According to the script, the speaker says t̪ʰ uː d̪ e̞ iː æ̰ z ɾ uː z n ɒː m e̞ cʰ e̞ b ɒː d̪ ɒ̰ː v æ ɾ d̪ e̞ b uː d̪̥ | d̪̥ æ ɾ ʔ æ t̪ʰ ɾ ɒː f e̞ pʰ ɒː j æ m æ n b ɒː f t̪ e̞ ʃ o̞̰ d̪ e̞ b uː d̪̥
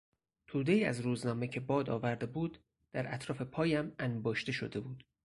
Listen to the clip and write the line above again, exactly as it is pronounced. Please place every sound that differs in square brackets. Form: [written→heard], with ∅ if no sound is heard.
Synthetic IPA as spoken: t̪ʰ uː d̪ e̞ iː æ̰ z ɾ uː z n ɒː m e̞ cʰ e̞ b ɒː d̪ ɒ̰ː v æ ɾ d̪ e̞ b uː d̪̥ | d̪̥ æ ɾ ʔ æ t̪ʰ ɾ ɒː f e̞ pʰ ɒː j æ m æ n b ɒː [f→ʃ] t̪ e̞ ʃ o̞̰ d̪ e̞ b uː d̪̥